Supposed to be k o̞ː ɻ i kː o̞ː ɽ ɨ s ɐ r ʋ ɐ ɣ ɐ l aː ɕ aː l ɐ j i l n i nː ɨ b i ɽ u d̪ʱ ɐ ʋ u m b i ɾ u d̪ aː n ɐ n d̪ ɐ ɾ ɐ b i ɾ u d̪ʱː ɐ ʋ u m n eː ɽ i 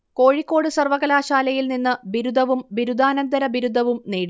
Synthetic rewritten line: k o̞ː ɻ i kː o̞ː ɽ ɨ s ɐ r ʋ ɐ ɣ ɐ l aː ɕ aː l ɐ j i l n i nː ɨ b i ɾ u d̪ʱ ɐ ʋ u m b i ɾ u d̪ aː n ɐ n d̪ ɐ ɾ ɐ b i ɾ u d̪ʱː ɐ ʋ u m n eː ɽ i